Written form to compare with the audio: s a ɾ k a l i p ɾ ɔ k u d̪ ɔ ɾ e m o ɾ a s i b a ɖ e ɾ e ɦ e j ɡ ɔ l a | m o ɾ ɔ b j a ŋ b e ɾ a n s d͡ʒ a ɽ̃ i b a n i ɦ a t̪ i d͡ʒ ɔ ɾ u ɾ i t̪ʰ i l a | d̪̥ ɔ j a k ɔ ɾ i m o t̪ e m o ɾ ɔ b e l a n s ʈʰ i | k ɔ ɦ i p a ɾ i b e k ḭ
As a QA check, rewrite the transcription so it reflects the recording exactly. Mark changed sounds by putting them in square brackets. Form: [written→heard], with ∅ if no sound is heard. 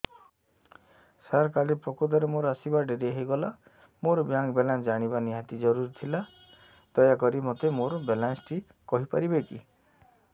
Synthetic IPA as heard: s a ɾ k a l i p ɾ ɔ k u d̪ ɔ ɾ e m o ɾ a s i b a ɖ e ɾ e ɦ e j ɡ ɔ l a | m o ɾ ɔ b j a ŋ b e [ɾ→l] a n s d͡ʒ a ɽ̃ i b a n i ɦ a t̪ i d͡ʒ ɔ ɾ u ɾ i t̪ʰ i l a | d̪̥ ɔ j a k ɔ ɾ i m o t̪ e m o ɾ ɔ b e l a n s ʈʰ i | k ɔ ɦ i p a ɾ i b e k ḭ